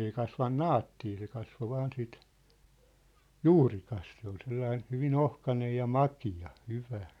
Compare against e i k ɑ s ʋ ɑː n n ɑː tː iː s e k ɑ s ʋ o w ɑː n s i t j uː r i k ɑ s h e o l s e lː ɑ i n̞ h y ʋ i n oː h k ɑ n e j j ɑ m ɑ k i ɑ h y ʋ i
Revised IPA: e i k ɑ s ʋ ɑ n n ɑː tː iː s e k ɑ s ʋ o ʋ ɑː n s i t j uː r i k ɑ s s e o l s e lː ɑ i n̞ h y ʋ i n o h k ɑ n e j j ɑ m ɑ k i ɑ h y ʋ æ